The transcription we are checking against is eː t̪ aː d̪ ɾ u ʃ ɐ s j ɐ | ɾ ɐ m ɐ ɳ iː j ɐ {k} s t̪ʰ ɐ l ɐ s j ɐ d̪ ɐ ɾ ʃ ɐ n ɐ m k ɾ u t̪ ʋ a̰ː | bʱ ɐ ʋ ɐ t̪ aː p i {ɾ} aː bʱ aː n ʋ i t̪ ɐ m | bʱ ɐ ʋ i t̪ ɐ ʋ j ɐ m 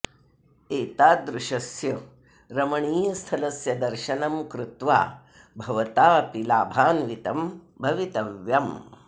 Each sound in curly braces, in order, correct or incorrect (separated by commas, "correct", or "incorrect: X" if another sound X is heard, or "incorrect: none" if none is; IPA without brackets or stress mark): incorrect: none, incorrect: l